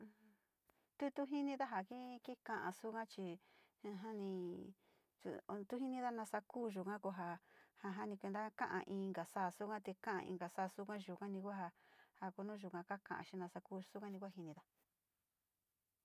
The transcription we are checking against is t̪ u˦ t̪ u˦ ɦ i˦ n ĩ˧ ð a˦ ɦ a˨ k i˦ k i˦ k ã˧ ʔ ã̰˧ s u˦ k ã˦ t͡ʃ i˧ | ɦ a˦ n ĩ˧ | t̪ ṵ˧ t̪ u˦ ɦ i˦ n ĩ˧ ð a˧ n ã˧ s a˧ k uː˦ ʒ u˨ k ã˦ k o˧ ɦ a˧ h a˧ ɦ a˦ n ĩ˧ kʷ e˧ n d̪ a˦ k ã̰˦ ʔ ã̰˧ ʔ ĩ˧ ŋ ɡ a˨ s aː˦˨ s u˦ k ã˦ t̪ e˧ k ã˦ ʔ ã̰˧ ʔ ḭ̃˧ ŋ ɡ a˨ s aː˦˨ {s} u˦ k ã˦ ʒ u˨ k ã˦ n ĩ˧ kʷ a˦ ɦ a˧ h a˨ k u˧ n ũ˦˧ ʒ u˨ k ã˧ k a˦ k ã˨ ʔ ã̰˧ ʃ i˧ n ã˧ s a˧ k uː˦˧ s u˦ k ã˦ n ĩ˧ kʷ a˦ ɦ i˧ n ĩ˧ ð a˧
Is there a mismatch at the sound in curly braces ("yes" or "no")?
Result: no